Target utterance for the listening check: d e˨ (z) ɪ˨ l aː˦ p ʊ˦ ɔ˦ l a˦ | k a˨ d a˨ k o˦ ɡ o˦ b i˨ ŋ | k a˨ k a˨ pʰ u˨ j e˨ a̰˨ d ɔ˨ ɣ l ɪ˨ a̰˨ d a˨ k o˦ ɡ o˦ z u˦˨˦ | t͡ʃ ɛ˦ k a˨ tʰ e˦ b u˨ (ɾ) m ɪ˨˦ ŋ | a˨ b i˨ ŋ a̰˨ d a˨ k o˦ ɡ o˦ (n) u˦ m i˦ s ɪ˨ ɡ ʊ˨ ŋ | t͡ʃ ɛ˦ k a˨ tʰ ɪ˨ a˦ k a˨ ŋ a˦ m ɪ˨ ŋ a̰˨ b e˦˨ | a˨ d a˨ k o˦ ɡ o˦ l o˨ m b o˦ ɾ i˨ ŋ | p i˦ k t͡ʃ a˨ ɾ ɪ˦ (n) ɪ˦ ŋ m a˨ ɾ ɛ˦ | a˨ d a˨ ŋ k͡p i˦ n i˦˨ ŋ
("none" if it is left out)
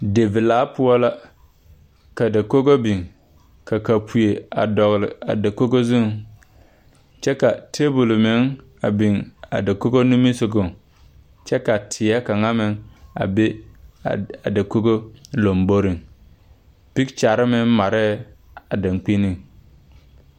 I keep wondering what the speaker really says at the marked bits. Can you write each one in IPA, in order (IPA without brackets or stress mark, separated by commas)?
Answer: v, l, n, m